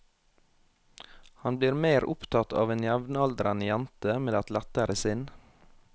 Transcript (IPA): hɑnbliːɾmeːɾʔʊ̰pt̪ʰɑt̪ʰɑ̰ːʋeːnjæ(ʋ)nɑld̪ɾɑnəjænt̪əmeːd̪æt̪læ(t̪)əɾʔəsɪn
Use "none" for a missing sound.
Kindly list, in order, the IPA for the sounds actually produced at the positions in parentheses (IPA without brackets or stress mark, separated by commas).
ʋ, t̪